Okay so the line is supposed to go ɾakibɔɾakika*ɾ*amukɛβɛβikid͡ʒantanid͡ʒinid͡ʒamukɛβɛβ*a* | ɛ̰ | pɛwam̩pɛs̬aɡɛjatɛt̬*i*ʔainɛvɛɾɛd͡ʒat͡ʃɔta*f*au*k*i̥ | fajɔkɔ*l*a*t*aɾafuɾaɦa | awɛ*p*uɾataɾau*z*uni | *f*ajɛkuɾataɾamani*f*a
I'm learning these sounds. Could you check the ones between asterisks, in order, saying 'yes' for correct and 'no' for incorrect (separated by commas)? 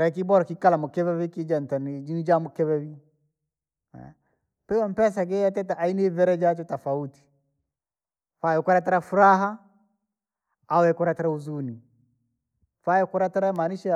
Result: no, no, no, yes, no, no, yes, no, yes, yes, no